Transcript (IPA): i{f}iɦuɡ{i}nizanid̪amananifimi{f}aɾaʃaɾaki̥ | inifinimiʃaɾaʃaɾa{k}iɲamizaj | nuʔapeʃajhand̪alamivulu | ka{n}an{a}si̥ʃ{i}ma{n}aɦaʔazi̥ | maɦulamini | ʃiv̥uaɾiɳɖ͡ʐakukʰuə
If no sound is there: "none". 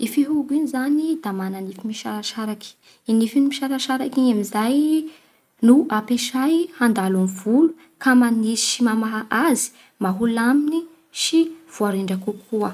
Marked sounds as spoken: f, i, ʃ, k, m, i, i, m

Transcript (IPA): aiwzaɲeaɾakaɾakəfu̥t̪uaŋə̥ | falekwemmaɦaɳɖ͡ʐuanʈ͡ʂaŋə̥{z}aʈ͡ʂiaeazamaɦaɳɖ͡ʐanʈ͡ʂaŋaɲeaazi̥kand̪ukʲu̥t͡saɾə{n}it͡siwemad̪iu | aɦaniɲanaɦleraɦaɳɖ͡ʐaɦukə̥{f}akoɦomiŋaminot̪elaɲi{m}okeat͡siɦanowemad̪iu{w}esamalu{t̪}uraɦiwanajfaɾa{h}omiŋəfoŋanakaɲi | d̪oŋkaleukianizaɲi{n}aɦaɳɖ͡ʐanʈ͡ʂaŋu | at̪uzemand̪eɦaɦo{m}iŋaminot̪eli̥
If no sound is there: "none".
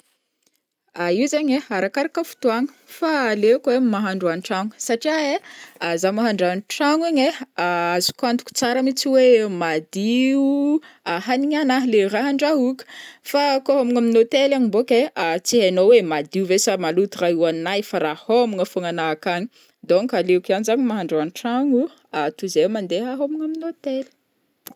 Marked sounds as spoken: s, m, f, b, v, t̪, h, m, m

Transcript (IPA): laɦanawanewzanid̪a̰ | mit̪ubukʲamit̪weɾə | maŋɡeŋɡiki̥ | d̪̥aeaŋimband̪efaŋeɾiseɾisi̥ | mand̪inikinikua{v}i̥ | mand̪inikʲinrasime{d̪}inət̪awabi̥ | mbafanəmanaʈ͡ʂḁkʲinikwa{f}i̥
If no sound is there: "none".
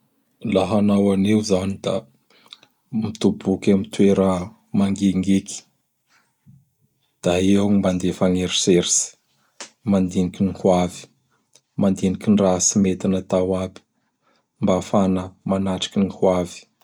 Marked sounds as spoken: v, t̪, v

